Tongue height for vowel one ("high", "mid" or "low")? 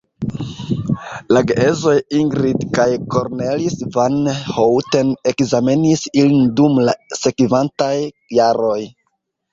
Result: low